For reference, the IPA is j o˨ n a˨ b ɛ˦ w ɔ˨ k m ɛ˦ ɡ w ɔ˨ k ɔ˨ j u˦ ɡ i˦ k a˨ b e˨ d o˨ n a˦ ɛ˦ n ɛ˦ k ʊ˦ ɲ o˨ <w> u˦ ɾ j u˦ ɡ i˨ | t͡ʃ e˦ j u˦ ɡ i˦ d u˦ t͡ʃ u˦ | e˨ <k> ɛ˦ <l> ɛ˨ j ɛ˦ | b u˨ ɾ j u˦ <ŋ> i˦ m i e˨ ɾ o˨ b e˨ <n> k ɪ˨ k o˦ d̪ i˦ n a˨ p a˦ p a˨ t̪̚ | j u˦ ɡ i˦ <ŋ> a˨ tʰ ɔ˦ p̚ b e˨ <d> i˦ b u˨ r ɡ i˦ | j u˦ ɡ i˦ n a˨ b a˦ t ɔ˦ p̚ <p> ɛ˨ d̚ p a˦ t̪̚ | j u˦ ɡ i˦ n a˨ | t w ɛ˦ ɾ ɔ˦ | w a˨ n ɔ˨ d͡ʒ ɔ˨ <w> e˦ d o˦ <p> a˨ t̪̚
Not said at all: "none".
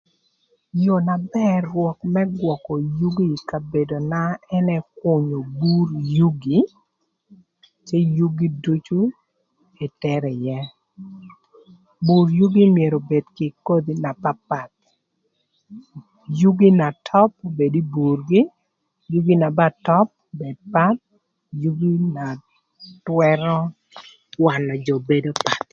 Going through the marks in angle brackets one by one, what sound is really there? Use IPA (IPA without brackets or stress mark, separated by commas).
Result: b, t, ɾ, ɡ, d, n, d, b, b, p